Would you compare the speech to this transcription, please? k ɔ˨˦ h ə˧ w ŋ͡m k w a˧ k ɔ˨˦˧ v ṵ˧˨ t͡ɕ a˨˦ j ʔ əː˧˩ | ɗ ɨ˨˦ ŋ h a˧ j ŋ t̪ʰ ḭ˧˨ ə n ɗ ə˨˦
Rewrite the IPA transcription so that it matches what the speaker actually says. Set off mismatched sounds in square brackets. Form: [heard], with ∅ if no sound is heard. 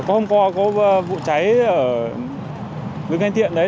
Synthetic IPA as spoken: k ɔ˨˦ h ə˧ w ŋ͡m k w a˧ k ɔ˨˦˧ v ṵ˧˨ t͡ɕ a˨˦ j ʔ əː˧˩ | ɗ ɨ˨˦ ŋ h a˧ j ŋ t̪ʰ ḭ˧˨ ə n ɗ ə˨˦